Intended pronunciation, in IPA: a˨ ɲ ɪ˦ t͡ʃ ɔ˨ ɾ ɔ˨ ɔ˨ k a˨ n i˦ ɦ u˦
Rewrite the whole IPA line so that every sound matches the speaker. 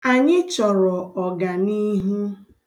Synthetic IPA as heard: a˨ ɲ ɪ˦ t͡ʃ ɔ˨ ɾ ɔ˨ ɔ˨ ɡ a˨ n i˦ ɦ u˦